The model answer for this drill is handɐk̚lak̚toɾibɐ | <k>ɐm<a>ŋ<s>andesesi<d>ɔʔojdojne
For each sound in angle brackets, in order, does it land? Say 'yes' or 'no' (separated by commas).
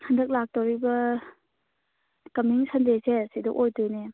yes, no, yes, yes